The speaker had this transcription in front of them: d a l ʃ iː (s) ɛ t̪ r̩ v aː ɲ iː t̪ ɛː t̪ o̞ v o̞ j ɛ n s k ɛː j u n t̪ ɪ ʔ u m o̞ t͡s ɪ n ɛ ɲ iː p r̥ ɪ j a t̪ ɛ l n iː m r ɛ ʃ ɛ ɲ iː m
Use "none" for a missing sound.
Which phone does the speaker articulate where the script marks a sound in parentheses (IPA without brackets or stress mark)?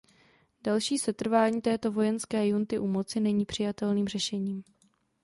s